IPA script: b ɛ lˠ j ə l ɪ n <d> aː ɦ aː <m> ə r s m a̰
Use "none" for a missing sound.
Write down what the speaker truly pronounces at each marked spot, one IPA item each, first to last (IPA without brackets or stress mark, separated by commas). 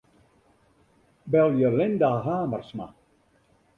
d, m